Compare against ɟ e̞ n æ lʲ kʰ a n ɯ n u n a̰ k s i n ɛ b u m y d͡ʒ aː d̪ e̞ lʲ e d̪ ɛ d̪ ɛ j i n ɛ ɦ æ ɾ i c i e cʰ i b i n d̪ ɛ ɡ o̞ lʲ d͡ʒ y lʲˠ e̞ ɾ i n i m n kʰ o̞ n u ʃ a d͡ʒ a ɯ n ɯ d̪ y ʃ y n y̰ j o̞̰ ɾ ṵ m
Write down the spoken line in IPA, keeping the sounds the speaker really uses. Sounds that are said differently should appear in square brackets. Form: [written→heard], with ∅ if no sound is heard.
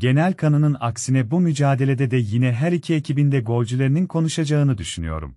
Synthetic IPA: ɟ e̞ n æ lʲ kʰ a n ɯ n [u→ɯ] n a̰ k s i n ɛ b u m y d͡ʒ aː d̪ e̞ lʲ e d̪ ɛ d̪ ɛ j i n ɛ ɦ æ ɾ i [c→cʰ] i e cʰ i b i n d̪ ɛ ɡ o̞ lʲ d͡ʒ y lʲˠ e̞ ɾ i n i [m→∅] n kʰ o̞ n u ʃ a d͡ʒ a ɯ n ɯ d̪ y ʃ y n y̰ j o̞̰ ɾ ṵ m